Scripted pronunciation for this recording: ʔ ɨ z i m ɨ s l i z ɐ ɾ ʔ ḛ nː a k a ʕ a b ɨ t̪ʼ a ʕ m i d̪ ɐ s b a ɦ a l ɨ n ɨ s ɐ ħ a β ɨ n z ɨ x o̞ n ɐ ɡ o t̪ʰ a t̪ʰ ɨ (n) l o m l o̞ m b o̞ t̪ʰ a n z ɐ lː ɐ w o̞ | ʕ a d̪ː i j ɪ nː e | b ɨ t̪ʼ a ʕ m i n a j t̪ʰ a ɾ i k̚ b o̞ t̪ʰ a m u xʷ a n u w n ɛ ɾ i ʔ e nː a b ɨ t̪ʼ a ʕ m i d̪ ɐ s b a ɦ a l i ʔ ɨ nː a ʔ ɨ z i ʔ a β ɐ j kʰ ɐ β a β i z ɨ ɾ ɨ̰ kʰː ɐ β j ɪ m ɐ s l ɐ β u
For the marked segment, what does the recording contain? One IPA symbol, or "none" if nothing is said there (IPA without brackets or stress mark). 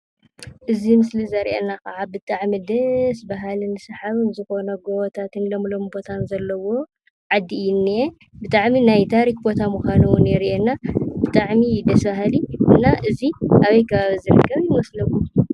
n